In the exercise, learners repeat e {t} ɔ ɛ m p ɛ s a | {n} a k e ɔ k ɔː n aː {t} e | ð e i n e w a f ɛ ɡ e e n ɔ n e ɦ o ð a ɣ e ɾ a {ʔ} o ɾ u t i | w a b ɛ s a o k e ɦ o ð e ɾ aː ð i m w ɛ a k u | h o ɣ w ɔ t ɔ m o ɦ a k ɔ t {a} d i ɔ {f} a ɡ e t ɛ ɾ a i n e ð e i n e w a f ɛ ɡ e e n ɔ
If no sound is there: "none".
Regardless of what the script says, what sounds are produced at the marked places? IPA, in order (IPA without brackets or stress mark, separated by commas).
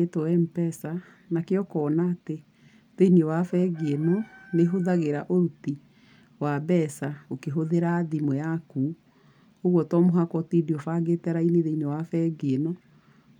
t, n, t, ʔ, i, f